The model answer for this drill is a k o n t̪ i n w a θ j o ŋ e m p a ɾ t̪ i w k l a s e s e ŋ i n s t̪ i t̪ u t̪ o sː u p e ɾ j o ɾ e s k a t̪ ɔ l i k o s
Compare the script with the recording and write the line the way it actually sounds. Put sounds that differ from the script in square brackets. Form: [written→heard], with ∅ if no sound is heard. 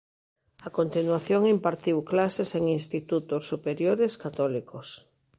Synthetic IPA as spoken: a k o n t̪ i n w a θ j o ŋ [e→i] m p a ɾ t̪ i w k l a s e s e ŋ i n s t̪ i t̪ u t̪ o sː u p e ɾ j o ɾ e s k a t̪ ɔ l i k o s